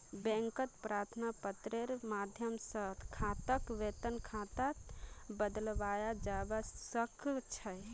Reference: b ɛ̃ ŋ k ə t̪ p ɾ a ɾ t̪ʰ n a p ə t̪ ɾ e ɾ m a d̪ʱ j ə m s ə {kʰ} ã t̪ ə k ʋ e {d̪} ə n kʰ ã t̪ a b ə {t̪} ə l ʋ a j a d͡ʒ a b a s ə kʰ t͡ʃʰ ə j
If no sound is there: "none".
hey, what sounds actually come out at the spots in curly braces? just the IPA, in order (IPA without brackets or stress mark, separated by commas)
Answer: kʰ, t̪, d̪